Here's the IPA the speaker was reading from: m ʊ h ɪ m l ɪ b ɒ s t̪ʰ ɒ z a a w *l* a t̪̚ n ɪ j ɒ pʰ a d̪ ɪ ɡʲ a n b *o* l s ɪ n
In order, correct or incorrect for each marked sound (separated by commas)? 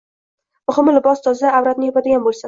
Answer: incorrect, correct